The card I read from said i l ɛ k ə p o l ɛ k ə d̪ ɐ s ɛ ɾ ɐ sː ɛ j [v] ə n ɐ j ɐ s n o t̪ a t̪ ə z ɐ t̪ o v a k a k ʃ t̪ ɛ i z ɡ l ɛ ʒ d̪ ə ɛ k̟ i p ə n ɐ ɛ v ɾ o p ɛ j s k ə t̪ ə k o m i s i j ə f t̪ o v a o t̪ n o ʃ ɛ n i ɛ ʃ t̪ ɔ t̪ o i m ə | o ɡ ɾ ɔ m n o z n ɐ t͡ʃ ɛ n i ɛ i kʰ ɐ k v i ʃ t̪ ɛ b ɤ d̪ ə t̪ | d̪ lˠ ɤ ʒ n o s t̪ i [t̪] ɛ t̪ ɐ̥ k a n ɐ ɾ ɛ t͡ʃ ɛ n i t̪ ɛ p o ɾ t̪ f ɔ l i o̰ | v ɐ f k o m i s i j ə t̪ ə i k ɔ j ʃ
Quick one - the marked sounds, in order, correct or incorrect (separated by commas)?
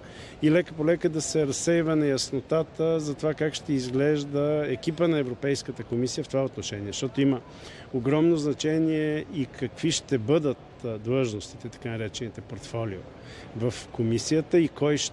correct, correct